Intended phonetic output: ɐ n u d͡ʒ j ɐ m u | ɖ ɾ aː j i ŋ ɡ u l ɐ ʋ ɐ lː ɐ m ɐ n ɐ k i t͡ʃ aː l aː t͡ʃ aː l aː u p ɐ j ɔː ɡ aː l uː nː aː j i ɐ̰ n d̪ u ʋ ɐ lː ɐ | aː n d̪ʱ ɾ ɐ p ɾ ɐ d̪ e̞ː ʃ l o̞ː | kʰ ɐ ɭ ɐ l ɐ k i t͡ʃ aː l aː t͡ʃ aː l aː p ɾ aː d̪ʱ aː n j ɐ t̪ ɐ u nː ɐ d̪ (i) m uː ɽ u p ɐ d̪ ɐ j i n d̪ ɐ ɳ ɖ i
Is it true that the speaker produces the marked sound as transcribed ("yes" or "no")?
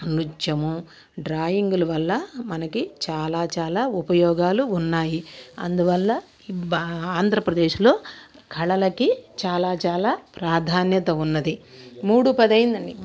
yes